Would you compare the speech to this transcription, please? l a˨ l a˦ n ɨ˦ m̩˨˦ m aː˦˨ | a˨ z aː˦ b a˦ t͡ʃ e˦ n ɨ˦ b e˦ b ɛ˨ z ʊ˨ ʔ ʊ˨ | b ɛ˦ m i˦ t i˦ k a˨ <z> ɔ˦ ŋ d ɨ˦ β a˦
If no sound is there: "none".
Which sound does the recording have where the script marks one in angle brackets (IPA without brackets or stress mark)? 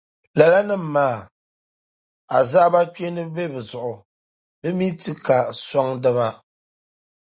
s